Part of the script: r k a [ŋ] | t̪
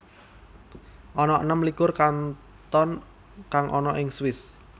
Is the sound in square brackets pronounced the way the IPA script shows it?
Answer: no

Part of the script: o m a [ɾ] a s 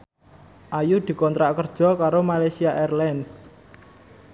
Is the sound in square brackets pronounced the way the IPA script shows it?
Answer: no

